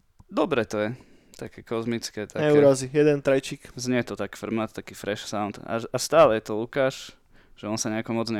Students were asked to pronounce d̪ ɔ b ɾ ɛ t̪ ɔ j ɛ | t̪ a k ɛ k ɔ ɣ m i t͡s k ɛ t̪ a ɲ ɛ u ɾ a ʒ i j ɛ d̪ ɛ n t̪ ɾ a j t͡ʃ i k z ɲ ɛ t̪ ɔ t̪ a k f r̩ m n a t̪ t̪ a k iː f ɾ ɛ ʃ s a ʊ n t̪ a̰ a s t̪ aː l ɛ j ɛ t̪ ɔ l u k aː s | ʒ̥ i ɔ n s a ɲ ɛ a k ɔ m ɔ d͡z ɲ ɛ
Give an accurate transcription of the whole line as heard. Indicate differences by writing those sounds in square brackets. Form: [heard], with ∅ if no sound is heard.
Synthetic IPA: d̪ ɔ b ɾ ɛ t̪ ɔ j ɛ | t̪ a k ɛ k ɔ [z] m i t͡s k ɛ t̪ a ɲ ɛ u ɾ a [z] i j ɛ d̪ ɛ n t̪ ɾ a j t͡ʃ i k z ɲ ɛ t̪ ɔ t̪ a k f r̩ m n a t̪ t̪ a k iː f ɾ ɛ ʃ s a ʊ n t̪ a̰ a s t̪ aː l ɛ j ɛ t̪ ɔ l u k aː [ʃ] | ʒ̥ [ɛ] ɔ n s a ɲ ɛ a k ɔ m ɔ d͡z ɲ ɛ